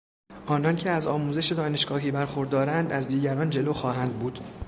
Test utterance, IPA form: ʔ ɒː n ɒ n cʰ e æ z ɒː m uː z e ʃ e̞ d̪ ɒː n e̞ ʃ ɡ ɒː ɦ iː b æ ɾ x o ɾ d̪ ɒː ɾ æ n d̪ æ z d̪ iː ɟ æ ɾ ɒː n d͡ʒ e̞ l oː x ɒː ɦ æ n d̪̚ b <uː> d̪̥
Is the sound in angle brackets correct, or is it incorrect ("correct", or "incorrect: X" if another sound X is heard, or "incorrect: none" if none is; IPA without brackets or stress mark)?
correct